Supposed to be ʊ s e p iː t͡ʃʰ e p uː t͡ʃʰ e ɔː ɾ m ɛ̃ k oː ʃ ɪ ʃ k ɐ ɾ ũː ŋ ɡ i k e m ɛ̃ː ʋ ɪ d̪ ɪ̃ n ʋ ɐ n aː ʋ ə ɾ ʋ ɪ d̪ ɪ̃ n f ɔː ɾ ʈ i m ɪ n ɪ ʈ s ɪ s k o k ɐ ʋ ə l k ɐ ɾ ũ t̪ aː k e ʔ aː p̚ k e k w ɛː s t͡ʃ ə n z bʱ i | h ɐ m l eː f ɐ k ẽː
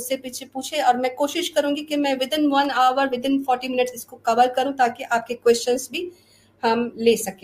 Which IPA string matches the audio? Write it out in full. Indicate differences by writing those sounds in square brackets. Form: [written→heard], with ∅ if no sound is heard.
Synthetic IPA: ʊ s e p iː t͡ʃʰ e p uː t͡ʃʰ e ɔː ɾ m ɛ̃ k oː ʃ ɪ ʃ k ɐ ɾ ũː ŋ ɡ i k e m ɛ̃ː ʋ ɪ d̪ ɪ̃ n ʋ ɐ n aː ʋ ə ɾ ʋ ɪ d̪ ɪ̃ n f ɔː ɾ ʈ i m ɪ n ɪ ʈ s ɪ s k o k ɐ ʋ ə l k ɐ ɾ ũ t̪ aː k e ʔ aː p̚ k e k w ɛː s t͡ʃ ə n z bʱ i | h ɐ m l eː [f→s] ɐ k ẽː